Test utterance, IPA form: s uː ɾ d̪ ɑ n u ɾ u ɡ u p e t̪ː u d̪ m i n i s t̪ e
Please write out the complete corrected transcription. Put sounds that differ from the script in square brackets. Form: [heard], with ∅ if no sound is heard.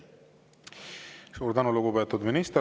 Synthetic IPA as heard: s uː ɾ d̪ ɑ n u [l] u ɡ u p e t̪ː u d̪ m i n i s t̪ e